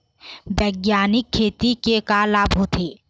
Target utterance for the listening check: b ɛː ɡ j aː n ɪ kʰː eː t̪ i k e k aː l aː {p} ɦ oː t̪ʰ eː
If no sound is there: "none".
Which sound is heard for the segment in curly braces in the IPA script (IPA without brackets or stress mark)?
b